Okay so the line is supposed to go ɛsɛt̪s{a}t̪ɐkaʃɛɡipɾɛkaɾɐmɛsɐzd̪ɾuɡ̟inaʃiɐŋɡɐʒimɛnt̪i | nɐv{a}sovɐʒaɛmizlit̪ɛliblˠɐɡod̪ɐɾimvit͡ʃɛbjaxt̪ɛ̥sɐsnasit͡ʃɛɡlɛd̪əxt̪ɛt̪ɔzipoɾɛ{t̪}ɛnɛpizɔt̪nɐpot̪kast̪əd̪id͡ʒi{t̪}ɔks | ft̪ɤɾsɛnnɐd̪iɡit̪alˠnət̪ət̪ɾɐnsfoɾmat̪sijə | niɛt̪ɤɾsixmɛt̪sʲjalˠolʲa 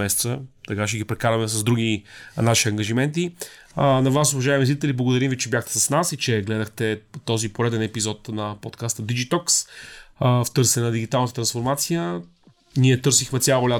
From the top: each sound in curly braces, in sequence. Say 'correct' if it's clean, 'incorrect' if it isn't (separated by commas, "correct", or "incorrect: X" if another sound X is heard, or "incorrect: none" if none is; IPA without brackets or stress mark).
incorrect: ə, correct, incorrect: d̪, correct